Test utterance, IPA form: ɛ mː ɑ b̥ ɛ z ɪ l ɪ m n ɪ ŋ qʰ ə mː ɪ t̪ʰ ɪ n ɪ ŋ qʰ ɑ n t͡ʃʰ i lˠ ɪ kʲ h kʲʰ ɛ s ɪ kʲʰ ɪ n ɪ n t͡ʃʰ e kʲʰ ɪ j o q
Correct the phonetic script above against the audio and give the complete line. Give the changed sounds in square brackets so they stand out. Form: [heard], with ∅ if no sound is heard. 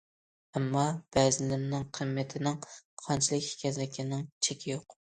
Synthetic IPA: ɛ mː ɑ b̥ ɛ z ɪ l ɪ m n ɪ ŋ qʰ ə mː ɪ t̪ʰ ɪ n ɪ ŋ qʰ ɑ n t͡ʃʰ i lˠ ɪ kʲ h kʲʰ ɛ [z] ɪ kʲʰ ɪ n ɪ [ŋ] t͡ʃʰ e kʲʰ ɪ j o q